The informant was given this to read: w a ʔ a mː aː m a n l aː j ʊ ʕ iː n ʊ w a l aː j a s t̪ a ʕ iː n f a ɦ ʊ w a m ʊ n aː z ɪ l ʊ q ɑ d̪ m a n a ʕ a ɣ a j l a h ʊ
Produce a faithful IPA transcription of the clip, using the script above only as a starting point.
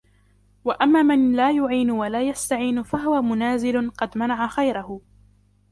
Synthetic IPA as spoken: w a ʔ a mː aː m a n l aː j ʊ ʕ iː n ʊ w a l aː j a s t̪ a ʕ iː n f a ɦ ʊ w a m ʊ n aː z ɪ l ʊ q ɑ d̪ m a n a ʕ a x a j ɾ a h ʊ